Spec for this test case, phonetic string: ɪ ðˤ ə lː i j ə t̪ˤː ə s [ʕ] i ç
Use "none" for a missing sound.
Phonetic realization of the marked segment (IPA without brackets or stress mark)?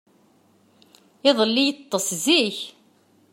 z